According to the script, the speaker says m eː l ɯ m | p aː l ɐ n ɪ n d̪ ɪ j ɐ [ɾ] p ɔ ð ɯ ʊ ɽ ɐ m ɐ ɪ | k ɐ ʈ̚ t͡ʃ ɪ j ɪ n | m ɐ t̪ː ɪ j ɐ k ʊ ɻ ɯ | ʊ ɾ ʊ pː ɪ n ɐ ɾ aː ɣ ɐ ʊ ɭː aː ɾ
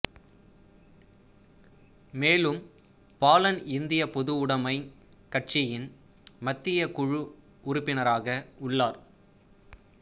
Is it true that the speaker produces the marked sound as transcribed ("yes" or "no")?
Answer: no